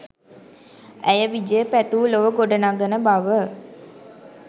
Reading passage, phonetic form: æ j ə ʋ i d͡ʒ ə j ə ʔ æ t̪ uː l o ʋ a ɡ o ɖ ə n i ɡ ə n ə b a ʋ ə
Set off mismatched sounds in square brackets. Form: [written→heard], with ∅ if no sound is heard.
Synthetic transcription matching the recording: æ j ə ʋ i d͡ʒ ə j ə [ʔ→p] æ t̪ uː l o ʋ [a→ə] ɡ o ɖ ə n [i→a] ɡ ə n ə b a ʋ ə